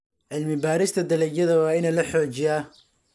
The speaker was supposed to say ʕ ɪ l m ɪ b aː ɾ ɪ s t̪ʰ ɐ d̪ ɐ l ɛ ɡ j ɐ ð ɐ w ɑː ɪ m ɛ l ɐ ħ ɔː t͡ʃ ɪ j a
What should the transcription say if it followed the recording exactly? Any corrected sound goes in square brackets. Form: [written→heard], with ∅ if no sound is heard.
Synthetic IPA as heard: ʕ ɪ l m ɪ b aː ɾ ɪ s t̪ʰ ɐ d̪ ɐ l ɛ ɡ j ɐ ð ɐ w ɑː ɪ [m→n] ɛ l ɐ ħ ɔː t͡ʃ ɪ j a